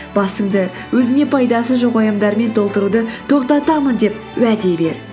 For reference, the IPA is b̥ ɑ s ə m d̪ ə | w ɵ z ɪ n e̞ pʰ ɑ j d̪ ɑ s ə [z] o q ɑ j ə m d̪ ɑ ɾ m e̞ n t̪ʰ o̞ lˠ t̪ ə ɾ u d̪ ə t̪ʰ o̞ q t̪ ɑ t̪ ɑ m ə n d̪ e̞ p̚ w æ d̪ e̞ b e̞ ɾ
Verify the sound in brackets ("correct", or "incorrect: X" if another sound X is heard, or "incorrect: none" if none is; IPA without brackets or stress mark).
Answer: incorrect: ʒ